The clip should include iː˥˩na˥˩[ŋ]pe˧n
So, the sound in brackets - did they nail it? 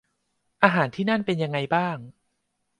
no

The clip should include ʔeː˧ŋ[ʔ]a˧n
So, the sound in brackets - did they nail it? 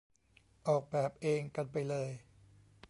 no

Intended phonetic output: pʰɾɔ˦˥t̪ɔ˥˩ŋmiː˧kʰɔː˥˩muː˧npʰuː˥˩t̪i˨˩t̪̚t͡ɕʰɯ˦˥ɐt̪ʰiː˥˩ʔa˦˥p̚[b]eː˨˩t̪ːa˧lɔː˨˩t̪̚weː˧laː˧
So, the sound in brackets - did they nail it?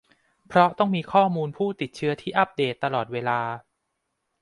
no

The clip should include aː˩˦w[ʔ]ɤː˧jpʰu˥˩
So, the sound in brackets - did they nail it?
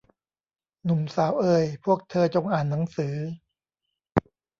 yes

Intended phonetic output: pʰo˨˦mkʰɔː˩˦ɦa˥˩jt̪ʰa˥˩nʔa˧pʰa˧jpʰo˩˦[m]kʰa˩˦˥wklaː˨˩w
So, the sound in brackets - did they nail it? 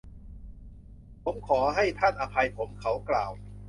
yes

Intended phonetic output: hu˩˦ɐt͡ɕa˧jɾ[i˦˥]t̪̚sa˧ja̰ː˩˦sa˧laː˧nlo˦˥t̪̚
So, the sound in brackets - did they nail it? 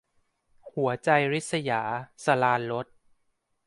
yes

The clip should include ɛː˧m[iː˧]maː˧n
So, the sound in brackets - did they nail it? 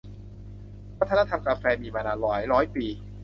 yes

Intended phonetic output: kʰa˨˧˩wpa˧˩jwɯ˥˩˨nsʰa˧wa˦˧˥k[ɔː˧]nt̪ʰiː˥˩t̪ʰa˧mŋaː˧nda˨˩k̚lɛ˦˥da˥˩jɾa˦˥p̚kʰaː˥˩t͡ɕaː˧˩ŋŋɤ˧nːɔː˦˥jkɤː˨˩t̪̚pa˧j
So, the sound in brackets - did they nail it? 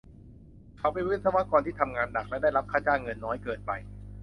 yes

